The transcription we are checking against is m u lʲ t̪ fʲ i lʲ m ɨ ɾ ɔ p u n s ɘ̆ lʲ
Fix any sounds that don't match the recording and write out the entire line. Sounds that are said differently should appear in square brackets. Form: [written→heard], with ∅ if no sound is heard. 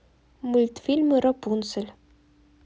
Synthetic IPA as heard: m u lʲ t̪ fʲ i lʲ m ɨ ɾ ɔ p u n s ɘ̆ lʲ

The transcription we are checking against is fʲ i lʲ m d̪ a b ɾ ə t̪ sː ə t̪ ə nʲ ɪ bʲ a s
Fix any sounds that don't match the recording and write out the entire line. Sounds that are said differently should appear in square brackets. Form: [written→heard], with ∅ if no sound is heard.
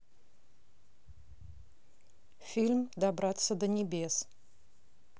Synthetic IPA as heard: fʲ i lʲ m d̪ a b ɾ [ə→a] t̪ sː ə [t̪→d̪] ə nʲ ɪ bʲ [a→e] s

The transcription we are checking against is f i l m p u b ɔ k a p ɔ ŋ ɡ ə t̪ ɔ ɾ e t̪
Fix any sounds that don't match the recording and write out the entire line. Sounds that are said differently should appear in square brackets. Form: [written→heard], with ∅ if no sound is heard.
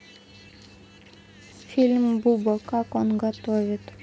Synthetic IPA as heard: f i l m [p→b] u b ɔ k a [p→k] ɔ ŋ ɡ [ə→a] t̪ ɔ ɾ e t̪

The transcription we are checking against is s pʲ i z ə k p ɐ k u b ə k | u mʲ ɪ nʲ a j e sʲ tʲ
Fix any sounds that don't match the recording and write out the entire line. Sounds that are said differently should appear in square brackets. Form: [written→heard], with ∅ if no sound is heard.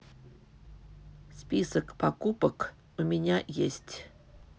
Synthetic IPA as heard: s pʲ i [z→s] ə k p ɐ k u [b→p] ə k | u mʲ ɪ nʲ a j e sʲ tʲ

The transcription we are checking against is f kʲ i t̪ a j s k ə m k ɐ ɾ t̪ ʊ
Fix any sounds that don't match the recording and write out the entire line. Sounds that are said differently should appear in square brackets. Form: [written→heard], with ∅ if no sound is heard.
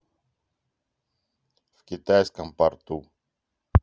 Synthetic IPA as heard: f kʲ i t̪ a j s k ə m [k→p] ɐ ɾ t̪ [ʊ→u]

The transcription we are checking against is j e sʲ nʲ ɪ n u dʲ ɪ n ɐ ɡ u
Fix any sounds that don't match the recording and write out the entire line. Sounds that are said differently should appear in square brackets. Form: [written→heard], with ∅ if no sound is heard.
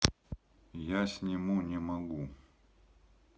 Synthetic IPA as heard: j [e→a] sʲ nʲ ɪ [n→m] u [dʲ→nʲ] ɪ [n→m] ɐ ɡ u

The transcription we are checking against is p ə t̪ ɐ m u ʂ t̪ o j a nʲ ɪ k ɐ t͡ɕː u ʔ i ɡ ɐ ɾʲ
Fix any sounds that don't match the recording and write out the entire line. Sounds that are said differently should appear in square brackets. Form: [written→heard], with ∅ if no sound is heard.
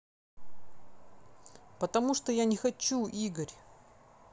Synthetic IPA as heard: p ə t̪ ɐ m u ʂ t̪ o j a nʲ ɪ [k→x] ɐ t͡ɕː u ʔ i ɡ [ɐ→ə] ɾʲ

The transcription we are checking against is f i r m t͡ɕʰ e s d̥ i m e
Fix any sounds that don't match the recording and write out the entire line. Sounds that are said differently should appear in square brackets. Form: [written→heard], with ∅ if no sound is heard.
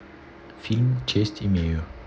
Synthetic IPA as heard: f i [r→l] m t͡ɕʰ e s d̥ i m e

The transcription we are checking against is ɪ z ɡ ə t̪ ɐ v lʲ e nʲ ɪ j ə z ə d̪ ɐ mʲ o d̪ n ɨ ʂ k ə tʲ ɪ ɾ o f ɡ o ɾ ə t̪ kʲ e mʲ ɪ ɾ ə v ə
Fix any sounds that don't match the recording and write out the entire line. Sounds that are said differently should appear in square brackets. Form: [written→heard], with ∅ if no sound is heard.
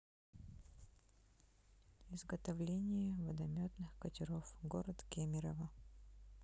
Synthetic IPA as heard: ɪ z ɡ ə t̪ ɐ v lʲ e nʲ ɪ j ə [z→v] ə d̪ ɐ mʲ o [d̪→t̪] n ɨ [ʂ→x] k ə tʲ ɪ ɾ o f ɡ o ɾ ə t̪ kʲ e mʲ ɪ ɾ ə v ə

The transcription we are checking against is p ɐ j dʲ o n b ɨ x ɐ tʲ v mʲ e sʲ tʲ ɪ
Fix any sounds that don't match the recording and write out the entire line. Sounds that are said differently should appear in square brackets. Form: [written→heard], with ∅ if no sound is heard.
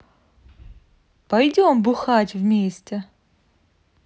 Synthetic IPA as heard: p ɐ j dʲ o [n→m] b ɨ x [ɐ→a] tʲ v mʲ e sʲ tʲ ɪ

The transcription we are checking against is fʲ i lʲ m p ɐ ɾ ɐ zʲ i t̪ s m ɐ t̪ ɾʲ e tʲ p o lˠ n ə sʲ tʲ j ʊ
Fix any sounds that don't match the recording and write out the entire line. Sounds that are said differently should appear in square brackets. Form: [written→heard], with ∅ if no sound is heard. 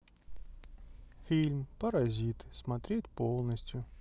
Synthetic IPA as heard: fʲ i lʲ m p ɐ ɾ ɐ zʲ i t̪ s m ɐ t̪ ɾʲ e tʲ p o lˠ n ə sʲ tʲ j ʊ

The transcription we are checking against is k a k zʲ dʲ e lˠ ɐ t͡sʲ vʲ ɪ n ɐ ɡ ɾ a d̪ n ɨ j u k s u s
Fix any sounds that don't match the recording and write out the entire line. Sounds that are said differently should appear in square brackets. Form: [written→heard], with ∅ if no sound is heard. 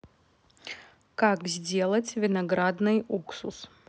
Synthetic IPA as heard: k a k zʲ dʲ e lˠ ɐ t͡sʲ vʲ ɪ n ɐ ɡ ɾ a d̪ n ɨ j u k s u s

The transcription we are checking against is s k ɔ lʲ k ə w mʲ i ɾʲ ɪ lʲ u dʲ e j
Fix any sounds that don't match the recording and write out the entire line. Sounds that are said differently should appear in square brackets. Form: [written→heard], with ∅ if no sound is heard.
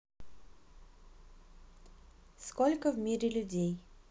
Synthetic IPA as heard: s k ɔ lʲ k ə [w→v] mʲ i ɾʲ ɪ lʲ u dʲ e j

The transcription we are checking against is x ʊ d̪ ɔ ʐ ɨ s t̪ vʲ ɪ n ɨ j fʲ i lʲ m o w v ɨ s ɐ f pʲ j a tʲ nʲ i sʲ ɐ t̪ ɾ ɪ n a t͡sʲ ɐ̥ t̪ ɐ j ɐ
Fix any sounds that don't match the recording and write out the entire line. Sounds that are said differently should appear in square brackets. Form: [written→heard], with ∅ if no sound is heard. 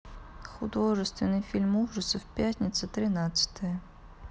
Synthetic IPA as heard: x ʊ d̪ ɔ ʐ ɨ s t̪ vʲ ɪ n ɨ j fʲ i lʲ m [o→u] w [v→ʐ] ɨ s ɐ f pʲ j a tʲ nʲ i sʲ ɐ t̪ ɾ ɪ n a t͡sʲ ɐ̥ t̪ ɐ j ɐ

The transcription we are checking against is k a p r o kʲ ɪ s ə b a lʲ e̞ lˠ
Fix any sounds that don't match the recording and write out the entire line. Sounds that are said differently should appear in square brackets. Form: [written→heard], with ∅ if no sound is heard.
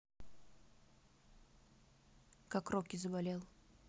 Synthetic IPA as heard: k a [p→k] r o kʲ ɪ [s→z] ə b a lʲ e̞ lˠ

